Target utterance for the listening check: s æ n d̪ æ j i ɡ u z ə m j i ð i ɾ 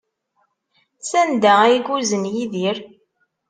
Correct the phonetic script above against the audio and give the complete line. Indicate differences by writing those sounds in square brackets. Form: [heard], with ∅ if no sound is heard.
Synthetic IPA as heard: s æ n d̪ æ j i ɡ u z ə [n] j i ð i ɾ